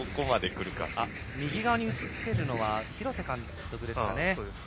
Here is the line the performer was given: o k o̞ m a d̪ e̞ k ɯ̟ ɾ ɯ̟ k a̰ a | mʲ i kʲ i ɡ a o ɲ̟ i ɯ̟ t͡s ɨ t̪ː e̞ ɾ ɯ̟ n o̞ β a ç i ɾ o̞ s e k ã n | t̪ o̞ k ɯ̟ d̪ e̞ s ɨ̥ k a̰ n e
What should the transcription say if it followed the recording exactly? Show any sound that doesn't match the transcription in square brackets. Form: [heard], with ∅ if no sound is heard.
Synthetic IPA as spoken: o k o̞ m a d̪ e̞ k ɯ̟ ɾ ɯ̟ k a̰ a | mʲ i [ɡʲ] i ɡ a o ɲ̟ i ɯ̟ t͡s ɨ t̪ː e̞ ɾ ɯ̟ n o̞ β a ç i ɾ o̞ s e k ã n | t̪ o̞ k ɯ̟ d̪ e̞ s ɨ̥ k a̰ n e